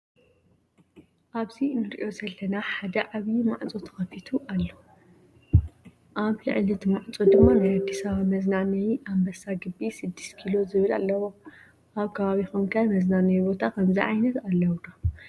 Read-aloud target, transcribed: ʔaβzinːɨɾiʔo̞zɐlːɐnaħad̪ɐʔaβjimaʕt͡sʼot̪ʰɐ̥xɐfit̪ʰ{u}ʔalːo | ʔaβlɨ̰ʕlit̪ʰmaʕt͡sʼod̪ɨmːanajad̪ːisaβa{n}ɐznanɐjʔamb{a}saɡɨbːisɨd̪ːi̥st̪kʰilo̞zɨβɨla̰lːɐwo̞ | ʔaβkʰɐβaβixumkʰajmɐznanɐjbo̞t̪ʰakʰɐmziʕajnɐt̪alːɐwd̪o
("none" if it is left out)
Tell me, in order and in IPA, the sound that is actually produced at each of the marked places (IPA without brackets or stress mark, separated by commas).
u, m, ɐ